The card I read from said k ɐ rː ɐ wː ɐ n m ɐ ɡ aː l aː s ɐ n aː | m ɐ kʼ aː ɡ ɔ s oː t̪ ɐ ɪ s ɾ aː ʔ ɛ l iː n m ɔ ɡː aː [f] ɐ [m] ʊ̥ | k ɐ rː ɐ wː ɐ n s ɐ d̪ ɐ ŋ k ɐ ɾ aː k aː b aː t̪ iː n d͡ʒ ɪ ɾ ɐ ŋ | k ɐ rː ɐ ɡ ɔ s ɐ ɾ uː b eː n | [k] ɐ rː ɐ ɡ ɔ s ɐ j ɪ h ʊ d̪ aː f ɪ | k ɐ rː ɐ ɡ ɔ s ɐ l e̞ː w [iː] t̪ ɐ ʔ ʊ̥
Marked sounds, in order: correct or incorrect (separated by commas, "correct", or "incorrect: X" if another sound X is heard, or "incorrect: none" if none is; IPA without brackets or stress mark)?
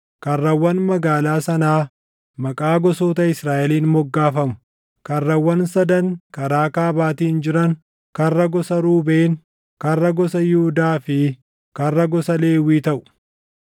correct, correct, correct, correct